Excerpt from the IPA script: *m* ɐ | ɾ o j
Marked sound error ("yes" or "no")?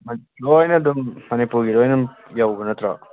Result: no